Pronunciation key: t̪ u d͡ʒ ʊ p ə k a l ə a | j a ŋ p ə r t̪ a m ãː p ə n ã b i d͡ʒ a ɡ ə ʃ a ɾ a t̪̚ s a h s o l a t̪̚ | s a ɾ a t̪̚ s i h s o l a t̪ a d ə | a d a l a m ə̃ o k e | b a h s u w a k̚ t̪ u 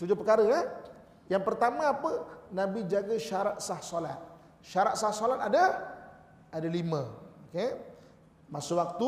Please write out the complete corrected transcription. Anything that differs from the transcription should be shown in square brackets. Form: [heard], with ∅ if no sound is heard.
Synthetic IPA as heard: t̪ u d͡ʒ ʊ p ə k a [ɾ] ə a | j a ŋ p ə r t̪ a m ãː p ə n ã b i d͡ʒ a ɡ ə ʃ a ɾ a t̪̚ s a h s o l a t̪̚ | [ʃ] a ɾ a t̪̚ s [a] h s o l a t̪ a d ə | a d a l [i] m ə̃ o k e | [m] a [∅] s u w a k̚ t̪ u